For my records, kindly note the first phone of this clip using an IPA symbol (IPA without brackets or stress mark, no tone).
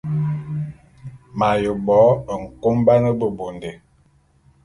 m